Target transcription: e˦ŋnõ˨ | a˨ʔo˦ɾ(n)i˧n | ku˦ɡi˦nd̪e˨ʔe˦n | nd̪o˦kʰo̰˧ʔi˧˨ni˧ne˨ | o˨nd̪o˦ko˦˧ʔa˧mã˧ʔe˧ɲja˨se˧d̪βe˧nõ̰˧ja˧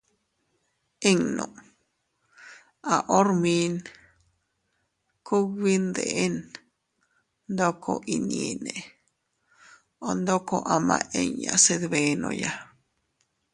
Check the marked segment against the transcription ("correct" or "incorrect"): incorrect